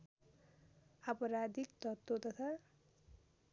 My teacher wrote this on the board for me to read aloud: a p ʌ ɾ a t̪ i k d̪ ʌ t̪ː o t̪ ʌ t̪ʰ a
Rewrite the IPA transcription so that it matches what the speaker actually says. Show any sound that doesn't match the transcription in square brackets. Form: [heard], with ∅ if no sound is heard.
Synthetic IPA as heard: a p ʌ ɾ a [d̪] i k [t̪] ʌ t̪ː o t̪ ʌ t̪ʰ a